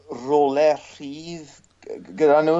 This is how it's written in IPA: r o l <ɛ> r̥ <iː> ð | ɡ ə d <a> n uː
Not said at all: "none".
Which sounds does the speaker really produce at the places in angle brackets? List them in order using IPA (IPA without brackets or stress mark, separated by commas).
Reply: ɛ, iː, a